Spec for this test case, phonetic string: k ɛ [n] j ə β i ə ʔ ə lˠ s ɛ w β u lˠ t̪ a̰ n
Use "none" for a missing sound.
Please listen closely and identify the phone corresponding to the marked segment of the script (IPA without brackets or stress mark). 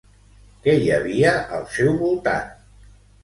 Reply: none